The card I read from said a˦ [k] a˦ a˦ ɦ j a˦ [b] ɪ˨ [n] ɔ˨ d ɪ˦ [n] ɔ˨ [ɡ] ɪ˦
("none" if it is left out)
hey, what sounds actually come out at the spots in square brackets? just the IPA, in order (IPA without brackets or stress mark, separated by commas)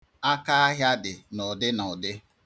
k, d, n, n, d